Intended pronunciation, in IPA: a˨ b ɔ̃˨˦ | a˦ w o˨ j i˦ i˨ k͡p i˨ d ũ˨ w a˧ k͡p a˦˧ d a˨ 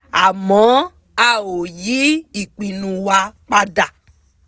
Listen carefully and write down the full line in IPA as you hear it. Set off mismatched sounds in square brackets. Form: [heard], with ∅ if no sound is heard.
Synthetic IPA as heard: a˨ [m] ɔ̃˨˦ | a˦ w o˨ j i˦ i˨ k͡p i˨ [n] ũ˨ w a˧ k͡p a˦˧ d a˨